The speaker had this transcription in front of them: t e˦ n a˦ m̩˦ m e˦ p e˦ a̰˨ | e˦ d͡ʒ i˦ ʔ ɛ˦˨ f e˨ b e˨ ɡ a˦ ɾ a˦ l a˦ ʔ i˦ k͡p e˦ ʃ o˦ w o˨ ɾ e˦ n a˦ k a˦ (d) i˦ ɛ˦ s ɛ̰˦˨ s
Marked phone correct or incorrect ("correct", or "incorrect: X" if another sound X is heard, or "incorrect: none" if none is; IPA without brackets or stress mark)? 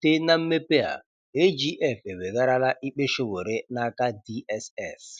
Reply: correct